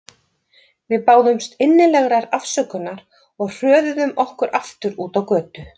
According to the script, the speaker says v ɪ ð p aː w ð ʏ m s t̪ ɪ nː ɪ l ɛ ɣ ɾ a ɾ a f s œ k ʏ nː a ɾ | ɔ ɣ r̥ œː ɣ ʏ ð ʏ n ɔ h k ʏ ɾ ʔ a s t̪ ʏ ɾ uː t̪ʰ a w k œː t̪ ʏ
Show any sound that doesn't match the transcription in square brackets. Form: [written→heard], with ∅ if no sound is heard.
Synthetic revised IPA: v ɪ ð p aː w ð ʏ m s t̪ ɪ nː ɪ l ɛ ɣ ɾ a ɾ a f s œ k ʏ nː a ɾ | ɔ ɣ r̥ œː [ɣ→ð] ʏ ð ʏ [n→m] ɔ h k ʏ ɾ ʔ a [s→f] t̪ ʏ ɾ uː [t̪ʰ→t̪] a w k œː t̪ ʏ